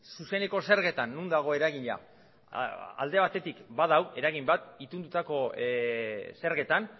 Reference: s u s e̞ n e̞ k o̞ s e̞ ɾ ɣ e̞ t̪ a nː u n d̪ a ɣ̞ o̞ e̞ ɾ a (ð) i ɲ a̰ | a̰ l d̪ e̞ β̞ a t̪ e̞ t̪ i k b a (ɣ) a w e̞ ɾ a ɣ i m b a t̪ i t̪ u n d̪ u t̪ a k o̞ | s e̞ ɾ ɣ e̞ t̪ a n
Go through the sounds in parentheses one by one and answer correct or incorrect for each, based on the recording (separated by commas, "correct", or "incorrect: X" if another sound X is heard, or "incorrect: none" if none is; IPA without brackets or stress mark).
incorrect: ɣ, incorrect: ð